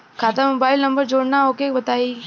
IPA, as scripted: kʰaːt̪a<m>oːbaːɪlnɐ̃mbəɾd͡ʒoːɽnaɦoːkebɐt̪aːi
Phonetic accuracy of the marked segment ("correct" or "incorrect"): correct